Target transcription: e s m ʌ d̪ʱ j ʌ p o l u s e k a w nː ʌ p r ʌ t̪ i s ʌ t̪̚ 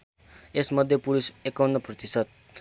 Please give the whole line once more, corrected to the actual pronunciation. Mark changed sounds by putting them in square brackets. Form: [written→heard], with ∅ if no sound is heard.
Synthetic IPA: e s m ʌ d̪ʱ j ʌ p [o→u] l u s e k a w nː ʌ p r ʌ t̪ i s ʌ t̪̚